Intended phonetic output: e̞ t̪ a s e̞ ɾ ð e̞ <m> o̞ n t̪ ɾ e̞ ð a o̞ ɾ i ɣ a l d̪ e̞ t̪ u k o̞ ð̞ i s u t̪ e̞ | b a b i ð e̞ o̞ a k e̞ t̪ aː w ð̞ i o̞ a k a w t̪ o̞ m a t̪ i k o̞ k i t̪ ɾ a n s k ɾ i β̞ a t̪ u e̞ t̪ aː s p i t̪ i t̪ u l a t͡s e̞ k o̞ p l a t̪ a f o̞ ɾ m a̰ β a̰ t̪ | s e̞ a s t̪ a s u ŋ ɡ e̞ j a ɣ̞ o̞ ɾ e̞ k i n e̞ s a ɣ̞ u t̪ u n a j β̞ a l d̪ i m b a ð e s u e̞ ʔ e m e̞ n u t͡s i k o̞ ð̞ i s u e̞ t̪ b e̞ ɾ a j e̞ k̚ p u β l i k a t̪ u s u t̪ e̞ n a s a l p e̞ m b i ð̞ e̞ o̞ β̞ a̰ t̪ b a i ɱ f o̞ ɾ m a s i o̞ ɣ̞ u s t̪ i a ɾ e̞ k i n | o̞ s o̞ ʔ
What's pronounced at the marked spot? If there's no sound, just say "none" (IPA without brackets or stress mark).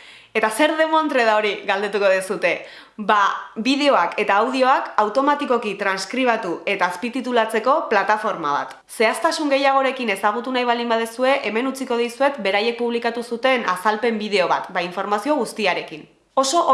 m